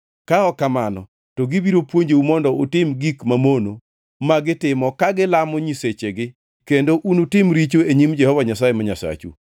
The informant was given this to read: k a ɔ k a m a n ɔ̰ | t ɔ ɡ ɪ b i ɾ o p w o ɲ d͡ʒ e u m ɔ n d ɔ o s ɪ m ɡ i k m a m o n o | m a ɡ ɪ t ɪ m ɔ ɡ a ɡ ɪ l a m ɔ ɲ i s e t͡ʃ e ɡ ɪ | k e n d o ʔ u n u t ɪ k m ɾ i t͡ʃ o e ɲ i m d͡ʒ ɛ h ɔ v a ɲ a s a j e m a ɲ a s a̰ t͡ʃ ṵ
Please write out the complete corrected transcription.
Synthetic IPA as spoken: k a ɔ k a m a n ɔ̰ | t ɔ ɡ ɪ b i ɾ o p w o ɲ d͡ʒ e u m ɔ n d ɔ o t ɪ m ɡ i k m a m o n o | m a ɡ ɪ t ɪ m ɔ k a ɡ ɪ l a m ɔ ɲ i s e t͡ʃ e ɡ ɪ | k e n d o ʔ u n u t ɪ m ɾ i t͡ʃ o e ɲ i m d͡ʒ ɛ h ɔ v a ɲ a s a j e m a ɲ a s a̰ t͡ʃ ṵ